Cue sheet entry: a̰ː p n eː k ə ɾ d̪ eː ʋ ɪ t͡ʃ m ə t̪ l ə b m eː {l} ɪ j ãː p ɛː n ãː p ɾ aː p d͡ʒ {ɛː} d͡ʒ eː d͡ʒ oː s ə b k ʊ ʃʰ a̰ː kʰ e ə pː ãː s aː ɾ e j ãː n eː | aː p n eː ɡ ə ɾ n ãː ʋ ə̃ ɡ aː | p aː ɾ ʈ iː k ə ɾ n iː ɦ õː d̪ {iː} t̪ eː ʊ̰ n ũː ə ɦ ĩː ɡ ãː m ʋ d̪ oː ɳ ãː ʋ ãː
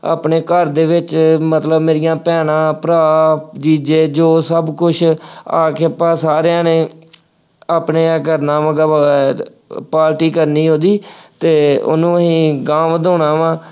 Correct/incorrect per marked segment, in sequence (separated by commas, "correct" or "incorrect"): incorrect, incorrect, correct